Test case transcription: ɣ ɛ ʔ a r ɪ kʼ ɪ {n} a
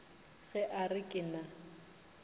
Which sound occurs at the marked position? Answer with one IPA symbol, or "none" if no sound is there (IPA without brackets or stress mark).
n